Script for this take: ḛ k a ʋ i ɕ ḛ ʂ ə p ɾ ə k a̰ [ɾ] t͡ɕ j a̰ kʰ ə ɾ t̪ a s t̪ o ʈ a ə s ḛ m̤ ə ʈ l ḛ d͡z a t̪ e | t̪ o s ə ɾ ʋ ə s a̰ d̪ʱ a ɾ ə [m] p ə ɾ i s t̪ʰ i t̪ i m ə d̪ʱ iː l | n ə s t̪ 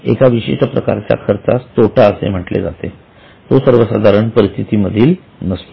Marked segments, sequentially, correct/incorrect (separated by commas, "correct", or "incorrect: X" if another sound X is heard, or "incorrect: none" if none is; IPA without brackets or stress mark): correct, incorrect: ɳ